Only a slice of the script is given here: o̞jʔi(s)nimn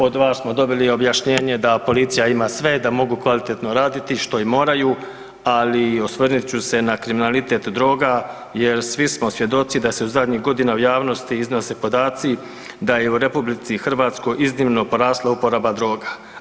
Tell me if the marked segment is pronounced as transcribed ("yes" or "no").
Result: no